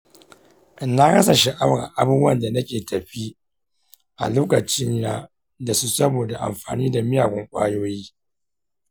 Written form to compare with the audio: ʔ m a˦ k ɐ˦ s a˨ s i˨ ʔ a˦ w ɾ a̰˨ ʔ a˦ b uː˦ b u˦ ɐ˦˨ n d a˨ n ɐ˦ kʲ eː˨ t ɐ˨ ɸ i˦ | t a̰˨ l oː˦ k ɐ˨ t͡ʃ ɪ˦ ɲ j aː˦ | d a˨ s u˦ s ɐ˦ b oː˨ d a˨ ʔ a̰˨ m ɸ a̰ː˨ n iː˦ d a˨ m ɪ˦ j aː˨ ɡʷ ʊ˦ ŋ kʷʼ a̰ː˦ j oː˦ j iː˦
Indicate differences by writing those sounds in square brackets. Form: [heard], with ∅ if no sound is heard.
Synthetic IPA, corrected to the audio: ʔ [n] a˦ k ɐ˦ s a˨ [ʃ] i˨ ʔ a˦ w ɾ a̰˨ ʔ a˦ b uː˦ b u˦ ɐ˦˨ n d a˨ n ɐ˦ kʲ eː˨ t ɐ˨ ɸ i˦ | [ʔ] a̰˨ l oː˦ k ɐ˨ t͡ʃ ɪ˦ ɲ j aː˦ | d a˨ s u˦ s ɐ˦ b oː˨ d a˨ ʔ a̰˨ m ɸ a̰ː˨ n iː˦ d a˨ m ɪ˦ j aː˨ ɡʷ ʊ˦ ŋ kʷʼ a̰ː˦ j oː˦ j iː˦